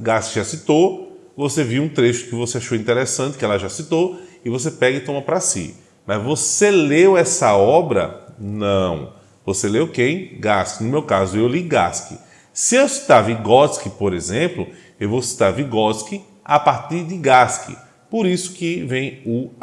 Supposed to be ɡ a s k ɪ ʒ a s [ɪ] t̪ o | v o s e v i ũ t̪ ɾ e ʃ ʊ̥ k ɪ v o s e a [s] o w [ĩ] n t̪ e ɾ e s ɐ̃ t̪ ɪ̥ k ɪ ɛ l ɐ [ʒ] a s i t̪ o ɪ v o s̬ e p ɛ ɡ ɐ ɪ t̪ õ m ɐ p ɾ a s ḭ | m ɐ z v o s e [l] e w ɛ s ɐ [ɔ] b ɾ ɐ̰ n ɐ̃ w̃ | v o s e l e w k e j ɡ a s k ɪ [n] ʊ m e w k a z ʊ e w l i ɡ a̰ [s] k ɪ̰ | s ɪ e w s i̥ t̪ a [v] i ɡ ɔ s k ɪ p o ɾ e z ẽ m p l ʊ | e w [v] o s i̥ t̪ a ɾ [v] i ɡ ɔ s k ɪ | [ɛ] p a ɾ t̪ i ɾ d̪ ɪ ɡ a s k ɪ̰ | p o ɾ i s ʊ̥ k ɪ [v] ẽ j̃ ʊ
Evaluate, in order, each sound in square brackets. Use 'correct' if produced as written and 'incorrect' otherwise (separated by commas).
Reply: incorrect, incorrect, correct, correct, correct, correct, correct, correct, correct, correct, correct, incorrect, correct